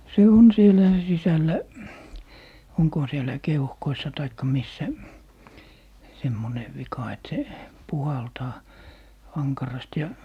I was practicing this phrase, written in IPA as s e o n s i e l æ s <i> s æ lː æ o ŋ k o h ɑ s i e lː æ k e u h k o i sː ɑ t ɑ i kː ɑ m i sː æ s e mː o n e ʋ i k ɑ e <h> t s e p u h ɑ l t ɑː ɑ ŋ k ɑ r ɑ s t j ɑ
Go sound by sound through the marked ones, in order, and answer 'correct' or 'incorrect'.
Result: correct, incorrect: none

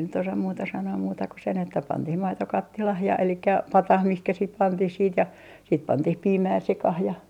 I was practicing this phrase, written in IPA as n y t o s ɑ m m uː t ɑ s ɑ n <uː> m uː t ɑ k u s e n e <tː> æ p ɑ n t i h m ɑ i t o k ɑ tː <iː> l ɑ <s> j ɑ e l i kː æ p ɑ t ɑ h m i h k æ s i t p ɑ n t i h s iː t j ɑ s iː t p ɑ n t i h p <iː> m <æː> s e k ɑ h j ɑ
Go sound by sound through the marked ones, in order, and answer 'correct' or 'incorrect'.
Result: incorrect: oː, correct, incorrect: i, incorrect: h, correct, correct

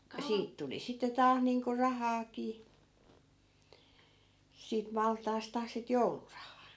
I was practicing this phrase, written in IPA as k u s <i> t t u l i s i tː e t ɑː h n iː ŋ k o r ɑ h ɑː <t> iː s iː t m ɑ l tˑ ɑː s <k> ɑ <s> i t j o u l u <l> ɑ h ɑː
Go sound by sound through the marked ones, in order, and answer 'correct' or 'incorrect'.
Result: incorrect: iː, incorrect: k, incorrect: t, correct, incorrect: r

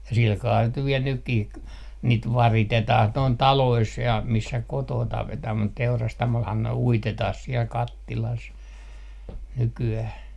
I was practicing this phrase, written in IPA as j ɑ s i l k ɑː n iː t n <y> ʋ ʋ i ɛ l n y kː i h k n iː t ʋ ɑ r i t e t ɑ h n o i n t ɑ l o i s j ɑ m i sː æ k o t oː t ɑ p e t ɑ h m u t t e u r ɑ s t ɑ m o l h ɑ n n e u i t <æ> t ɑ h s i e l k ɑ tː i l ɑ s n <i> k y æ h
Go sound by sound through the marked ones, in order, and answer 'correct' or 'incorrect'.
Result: correct, incorrect: e, incorrect: y

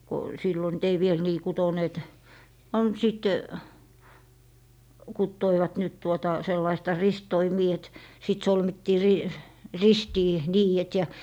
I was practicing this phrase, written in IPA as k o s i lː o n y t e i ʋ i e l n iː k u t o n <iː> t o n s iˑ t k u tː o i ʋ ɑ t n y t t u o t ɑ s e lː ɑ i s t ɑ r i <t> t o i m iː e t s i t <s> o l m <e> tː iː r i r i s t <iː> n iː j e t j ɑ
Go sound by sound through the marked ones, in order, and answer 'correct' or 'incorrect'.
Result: incorrect: eː, incorrect: s, correct, incorrect: i, correct

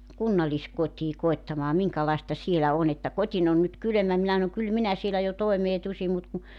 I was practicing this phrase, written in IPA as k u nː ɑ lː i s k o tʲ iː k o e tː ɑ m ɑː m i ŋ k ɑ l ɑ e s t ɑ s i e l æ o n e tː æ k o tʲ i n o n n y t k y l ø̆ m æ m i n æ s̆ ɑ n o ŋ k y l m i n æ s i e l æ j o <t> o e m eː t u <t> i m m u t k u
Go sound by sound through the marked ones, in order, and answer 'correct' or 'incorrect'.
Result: correct, incorrect: s

